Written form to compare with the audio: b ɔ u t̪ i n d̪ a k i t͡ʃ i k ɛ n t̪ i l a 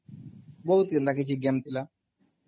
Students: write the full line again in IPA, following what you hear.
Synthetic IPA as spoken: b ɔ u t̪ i n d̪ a k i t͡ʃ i ɡ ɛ m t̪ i l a